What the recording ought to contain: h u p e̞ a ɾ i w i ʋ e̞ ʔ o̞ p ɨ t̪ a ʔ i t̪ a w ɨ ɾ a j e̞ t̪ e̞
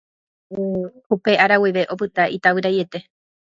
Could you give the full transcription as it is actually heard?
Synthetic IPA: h u p e̞ a ɾ a w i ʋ e̞ ʔ o̞ p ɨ t̪ a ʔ i t̪ a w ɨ ɾ a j e̞ t̪ e̞